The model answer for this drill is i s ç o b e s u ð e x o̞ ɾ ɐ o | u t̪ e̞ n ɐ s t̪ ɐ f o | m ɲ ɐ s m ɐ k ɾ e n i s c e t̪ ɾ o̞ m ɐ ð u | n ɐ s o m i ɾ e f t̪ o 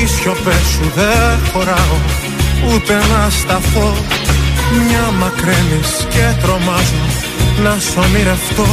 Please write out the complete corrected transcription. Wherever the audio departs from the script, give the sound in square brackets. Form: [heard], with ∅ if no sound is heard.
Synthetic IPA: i s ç o [p] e s u ð e x o̞ ɾ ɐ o | u t̪ e̞ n ɐ s t̪ ɐ f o | m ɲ ɐ [∅] m ɐ k ɾ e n i s c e t̪ ɾ o̞ m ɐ [z] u | n ɐ s o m i ɾ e f t̪ o